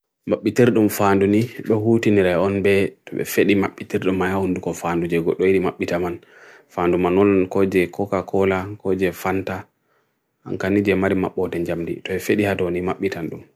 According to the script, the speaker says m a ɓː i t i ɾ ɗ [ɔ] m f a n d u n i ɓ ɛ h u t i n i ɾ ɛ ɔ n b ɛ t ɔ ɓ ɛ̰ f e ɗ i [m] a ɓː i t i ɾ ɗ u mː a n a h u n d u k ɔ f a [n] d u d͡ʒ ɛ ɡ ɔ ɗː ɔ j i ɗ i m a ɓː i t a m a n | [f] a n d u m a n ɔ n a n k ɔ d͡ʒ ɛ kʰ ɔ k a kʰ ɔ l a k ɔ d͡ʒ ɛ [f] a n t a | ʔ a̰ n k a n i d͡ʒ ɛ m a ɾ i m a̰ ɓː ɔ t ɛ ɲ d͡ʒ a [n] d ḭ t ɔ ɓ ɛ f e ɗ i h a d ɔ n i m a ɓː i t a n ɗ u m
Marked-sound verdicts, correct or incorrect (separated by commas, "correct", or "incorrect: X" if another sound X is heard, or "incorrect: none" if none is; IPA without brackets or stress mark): incorrect: u, correct, correct, correct, correct, incorrect: m